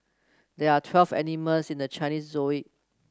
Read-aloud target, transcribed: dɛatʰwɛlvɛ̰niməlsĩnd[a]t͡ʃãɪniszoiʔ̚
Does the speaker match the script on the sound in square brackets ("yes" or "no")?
no